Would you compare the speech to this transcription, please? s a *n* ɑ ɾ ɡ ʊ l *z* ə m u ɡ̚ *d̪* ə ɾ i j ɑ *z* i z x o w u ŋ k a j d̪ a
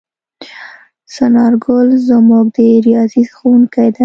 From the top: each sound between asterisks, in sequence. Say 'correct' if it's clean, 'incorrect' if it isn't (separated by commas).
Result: correct, correct, correct, correct